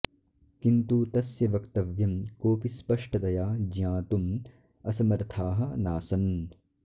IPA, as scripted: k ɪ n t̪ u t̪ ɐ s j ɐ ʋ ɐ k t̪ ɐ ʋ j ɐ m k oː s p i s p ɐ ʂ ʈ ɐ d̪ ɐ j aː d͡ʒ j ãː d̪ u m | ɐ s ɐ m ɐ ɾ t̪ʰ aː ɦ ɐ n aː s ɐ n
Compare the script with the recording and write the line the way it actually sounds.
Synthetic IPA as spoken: k i n t̪ u t̪ ɐ s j ɐ ʋ ɐ k t̪ ɐ ʋ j ɐ m k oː p i s p ɐ ʂ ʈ ɐ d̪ ɐ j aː d͡ʒ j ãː t̪ u m | ɐ s ɐ m ɐ ɾ t̪ʰ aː ɦ ɐ n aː s ɐ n

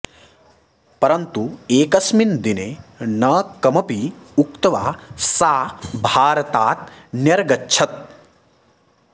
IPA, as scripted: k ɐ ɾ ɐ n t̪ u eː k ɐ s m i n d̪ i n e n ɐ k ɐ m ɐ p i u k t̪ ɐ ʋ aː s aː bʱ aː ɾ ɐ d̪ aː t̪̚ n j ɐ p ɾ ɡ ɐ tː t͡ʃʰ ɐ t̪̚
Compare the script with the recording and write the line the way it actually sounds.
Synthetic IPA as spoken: p ɐ ɾ ɐ n t̪ u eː k ɐ s m i n d̪ i n e n ɐ k ɐ m ɐ p i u k t̪ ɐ ʋ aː s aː bʱ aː ɾ ɐ t̪ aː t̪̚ n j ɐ ɾ ɡ ɐ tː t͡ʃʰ ɐ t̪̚

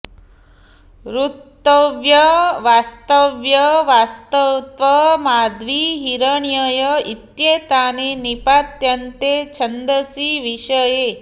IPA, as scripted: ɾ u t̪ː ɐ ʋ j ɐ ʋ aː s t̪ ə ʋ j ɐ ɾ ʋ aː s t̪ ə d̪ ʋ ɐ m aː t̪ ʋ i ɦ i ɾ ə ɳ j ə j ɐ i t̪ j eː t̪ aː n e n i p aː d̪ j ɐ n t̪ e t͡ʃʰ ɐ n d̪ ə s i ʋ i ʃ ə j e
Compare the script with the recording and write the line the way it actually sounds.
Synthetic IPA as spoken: ɾ u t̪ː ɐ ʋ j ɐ ʋ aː s t̪ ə ʋ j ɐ ʋ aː s t̪ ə t̪ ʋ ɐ m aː d̪ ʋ i ɦ i ɾ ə ɳ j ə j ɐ i t̪ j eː t̪ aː n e n i p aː t̪ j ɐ n t̪ e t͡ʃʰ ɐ n d̪ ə s i ʋ i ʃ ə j e

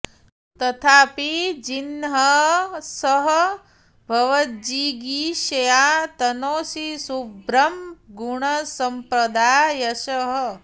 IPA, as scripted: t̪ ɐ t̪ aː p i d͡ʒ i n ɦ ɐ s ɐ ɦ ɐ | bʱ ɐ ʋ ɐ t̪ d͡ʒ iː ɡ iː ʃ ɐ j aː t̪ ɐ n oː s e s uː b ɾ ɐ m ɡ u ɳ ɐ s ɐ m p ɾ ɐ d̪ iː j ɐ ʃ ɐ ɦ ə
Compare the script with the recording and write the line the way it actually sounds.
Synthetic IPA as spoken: t̪ ɐ t̪ʰ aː p i d͡ʒ i n ɦ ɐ s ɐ ɦ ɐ | bʱ ɐ ʋ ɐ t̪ d͡ʒ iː ɡ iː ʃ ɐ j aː t̪ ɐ n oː s i s u b ɾ ɐ m ɡ u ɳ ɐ s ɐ m p ɾ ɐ d̪ aː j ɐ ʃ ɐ ɦ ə

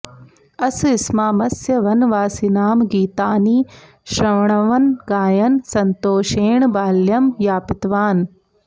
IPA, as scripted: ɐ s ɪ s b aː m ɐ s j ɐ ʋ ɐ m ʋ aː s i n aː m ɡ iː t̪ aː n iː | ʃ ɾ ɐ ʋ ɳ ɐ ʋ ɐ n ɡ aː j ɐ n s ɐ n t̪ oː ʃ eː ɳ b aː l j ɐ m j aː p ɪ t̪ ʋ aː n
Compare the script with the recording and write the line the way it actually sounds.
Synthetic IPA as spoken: ɐ s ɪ s m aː m ɐ s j ɐ ʋ ɐ n ʋ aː s i n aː m ɡ iː t̪ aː n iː | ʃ ɾ ɐ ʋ ɳ ɐ ʋ ɐ n ɡ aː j ɐ n s ɐ n t̪ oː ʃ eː ɳ b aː l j ɐ m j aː p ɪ t̪ ʋ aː n

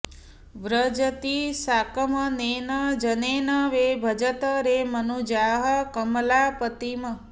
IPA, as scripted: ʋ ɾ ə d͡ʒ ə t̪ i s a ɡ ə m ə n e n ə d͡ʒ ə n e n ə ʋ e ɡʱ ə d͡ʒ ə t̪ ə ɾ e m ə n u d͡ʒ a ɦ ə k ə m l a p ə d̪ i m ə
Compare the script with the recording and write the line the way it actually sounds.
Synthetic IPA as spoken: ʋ ɾ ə d͡ʒ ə t̪ i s a k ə m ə n e n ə d͡ʒ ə n e n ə ʋ e bʱ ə d͡ʒ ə t̪ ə ɾ e m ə n u d͡ʒ a ɦ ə k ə m l a p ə t̪ i m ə

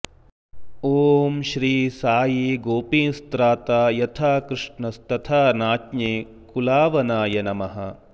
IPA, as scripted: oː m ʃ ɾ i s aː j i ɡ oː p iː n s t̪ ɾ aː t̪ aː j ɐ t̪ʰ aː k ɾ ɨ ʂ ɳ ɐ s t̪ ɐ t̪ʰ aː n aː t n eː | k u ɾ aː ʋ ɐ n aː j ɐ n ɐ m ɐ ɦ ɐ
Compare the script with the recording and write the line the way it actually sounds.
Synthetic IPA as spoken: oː m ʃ ɾ iː s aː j i ɡ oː p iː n s t̪ ɾ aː t̪ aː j ɐ t̪ʰ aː k ɾ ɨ ʂ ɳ ɐ s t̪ ɐ t̪ʰ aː n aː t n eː | k u l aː ʋ ɐ n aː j ɐ n ɐ m ɐ ɦ ɐ

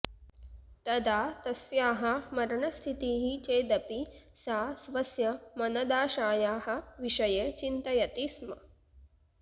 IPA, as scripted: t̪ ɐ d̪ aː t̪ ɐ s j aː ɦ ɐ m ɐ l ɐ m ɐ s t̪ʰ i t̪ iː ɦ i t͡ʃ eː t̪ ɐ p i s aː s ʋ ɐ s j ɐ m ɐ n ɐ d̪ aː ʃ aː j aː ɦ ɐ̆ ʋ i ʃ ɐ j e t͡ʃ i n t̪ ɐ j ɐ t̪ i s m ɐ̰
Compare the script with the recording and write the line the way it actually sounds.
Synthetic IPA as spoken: t̪ ɐ d̪ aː t̪ ɐ s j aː ɦ ɐ m ɐ ɾ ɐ ɳ ɐ s t̪ʰ i t̪ iː ɦ i t͡ʃ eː d̪ ɐ p i s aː s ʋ ɐ s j ɐ m ɐ n ɐ d̪ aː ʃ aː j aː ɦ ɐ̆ ʋ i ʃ ɐ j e t͡ʃ i n t̪ ɐ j ɐ t̪ i s m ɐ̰

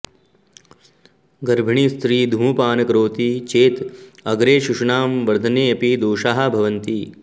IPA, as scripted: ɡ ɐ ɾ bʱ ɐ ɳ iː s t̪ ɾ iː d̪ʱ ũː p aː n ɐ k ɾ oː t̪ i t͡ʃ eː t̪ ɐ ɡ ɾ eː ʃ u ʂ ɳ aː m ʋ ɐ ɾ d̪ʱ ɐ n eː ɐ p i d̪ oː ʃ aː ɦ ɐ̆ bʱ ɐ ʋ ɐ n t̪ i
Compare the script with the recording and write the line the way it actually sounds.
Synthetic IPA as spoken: ɡ ɐ ɾ bʱ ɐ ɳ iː s t̪ ɾ iː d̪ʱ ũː p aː n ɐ k ɾ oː t̪ i t͡ʃ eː t̪ ɐ ɡ ɾ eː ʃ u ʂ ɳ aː m ʋ ɐ ɾ d̪ʱ ɐ n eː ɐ p i d̪ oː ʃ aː ɦ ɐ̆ bʱ ɐ ʋ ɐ n t̪ i

